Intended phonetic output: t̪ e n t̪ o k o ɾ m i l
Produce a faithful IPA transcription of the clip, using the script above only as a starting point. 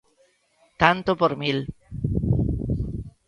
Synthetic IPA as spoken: t̪ a n t̪ o p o ɾ m i l